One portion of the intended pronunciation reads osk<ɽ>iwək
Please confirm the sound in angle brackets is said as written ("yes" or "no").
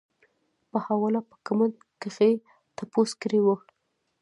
no